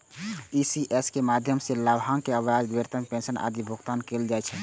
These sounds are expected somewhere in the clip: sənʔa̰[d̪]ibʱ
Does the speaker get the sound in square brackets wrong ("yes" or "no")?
no